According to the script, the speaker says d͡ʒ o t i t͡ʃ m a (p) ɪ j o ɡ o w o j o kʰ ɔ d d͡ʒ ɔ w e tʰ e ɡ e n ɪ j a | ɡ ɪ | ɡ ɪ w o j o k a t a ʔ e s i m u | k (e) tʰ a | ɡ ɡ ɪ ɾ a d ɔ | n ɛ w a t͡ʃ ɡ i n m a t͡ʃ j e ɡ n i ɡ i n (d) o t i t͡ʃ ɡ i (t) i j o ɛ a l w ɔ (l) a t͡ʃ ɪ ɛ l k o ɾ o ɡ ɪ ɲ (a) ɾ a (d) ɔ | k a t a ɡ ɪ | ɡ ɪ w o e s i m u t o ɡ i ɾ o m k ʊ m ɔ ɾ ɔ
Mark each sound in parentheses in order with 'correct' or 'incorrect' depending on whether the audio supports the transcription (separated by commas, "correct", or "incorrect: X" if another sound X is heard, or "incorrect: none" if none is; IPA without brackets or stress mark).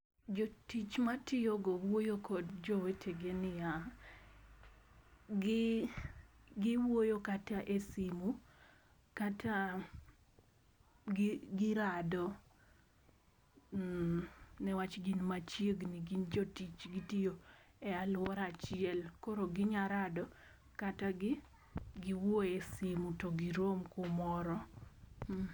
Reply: incorrect: t, incorrect: a, incorrect: d͡ʒ, correct, incorrect: ɾ, correct, correct